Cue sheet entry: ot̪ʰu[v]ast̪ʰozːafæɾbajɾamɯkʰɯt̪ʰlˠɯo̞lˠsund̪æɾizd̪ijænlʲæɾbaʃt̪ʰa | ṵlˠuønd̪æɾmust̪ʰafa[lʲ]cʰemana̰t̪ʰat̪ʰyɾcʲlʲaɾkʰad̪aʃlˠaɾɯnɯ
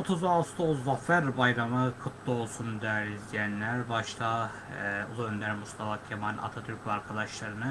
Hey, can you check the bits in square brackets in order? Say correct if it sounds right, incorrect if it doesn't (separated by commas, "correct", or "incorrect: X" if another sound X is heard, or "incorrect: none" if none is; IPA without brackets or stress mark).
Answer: incorrect: z, incorrect: none